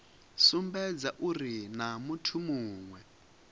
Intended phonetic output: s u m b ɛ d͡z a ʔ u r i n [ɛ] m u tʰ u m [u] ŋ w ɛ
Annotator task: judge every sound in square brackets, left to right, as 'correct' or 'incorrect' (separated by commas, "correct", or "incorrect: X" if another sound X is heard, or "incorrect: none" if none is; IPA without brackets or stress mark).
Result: incorrect: a, incorrect: uː